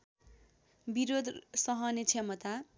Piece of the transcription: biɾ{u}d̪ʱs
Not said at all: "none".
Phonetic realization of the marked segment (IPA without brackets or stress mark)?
o